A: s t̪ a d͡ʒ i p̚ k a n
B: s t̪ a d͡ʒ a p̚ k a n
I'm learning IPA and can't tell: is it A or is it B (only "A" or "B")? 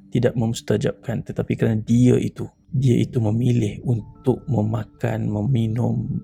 B